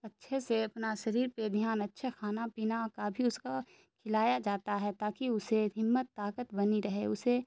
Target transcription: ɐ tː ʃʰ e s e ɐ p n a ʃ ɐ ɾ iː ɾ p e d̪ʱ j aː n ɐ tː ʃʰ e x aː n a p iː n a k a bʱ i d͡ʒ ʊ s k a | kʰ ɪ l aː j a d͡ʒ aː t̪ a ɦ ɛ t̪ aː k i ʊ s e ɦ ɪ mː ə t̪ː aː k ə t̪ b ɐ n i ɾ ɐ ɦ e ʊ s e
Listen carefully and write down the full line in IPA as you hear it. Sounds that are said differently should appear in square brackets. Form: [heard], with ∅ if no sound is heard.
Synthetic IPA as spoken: ɐ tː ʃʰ e s e ɐ p n a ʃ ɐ ɾ iː ɾ p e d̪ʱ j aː n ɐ tː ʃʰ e x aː n a p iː n a k a bʱ i [∅] ʊ s k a | kʰ ɪ l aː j a d͡ʒ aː t̪ a ɦ ɛ t̪ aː k i ʊ s e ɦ ɪ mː ə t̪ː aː k ə t̪ b ɐ n i ɾ ɐ ɦ e ʊ s e